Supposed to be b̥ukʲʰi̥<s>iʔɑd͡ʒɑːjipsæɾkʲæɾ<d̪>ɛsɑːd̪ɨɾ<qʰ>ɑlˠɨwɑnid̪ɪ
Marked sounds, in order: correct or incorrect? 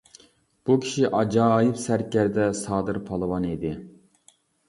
incorrect: ʃ, correct, incorrect: pʰ

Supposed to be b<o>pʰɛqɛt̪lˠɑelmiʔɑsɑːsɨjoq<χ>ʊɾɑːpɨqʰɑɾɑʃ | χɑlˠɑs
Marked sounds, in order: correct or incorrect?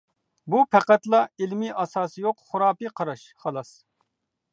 incorrect: u, correct

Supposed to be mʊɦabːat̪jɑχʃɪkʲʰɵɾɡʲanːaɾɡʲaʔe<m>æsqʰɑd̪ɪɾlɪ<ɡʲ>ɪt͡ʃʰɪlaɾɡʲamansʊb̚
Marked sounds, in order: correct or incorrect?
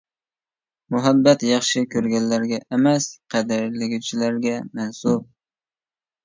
correct, correct

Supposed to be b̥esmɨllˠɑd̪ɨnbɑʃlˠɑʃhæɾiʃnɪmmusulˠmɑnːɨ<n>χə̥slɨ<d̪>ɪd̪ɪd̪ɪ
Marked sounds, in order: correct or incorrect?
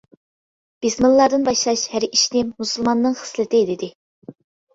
incorrect: ŋ, incorrect: t̪

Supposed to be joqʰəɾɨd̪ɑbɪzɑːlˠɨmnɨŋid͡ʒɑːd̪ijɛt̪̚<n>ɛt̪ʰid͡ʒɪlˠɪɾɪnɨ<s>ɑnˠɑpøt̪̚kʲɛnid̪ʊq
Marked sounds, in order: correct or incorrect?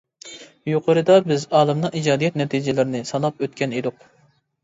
correct, correct

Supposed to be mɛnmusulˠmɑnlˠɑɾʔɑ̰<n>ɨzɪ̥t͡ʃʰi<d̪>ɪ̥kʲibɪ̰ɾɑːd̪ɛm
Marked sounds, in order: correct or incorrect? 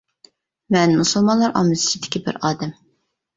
incorrect: m, correct

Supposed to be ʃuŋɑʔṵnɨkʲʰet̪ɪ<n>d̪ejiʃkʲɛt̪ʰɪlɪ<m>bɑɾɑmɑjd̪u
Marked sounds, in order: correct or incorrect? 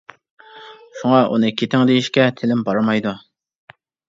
incorrect: ŋ, correct

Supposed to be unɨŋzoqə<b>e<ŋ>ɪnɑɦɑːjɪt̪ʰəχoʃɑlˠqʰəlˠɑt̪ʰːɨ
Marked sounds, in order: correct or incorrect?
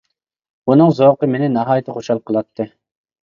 incorrect: m, incorrect: n

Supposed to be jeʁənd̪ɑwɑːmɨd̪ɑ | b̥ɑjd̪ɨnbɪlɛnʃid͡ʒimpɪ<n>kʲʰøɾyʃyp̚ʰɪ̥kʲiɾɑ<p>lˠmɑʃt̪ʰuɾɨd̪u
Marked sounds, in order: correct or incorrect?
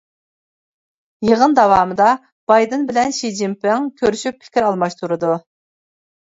incorrect: ŋ, incorrect: none

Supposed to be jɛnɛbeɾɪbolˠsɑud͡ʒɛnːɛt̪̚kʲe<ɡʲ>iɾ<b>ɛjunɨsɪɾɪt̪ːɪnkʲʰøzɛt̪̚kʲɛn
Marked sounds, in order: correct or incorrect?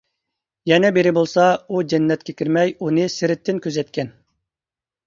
incorrect: kʲ, incorrect: m

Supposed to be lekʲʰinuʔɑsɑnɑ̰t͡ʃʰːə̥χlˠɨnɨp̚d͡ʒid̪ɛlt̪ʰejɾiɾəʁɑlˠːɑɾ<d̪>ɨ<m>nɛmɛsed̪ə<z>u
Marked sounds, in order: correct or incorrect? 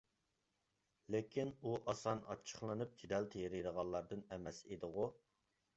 correct, incorrect: none, incorrect: ʁ

